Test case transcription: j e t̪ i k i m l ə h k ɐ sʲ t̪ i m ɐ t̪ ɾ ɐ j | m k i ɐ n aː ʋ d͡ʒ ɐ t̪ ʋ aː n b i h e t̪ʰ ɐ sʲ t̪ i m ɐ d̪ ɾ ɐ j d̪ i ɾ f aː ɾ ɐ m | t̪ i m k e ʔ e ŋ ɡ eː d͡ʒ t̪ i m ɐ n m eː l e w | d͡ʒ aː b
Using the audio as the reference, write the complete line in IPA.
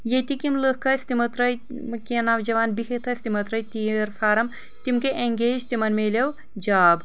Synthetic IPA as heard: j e t̪ i k i m l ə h k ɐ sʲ t̪ i m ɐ t̪ ɾ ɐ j | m k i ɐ n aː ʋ d͡ʒ ɐ ʋ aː n b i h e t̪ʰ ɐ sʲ t̪ i m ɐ t̪ ɾ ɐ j t̪ i ɾ f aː ɾ ɐ m | t̪ i m k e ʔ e ŋ ɡ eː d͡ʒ t̪ i m ɐ n m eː l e w | d͡ʒ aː b